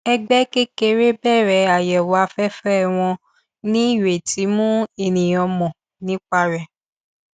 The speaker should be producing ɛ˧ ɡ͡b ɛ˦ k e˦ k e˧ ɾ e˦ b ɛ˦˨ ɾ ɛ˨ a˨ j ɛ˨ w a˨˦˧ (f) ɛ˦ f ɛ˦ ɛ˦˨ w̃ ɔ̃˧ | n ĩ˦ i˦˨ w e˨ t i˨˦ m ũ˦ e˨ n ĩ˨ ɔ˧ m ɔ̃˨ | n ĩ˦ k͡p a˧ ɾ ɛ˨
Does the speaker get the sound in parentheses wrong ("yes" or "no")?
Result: no